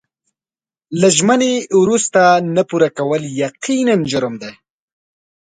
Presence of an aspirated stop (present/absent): absent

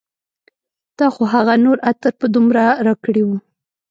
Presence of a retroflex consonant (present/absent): present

